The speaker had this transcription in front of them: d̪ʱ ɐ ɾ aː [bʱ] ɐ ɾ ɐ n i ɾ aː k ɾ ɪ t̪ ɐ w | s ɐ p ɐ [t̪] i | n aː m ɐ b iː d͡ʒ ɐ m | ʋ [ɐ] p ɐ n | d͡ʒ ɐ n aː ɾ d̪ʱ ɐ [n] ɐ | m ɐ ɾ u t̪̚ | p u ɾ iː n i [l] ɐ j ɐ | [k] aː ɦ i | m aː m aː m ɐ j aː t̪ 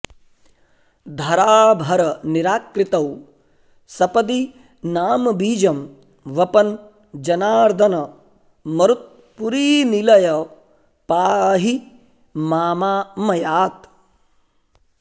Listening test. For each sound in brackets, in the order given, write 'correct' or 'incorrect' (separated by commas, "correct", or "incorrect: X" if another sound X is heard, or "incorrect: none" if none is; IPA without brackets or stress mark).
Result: correct, incorrect: d̪, correct, correct, correct, incorrect: p